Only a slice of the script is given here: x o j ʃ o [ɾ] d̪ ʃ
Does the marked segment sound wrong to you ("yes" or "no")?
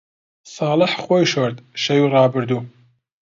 no